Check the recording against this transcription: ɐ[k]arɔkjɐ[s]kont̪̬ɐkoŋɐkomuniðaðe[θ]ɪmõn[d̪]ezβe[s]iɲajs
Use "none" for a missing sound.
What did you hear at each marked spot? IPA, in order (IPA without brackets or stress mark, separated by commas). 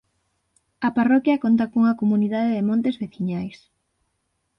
p, none, ð, t̪, θ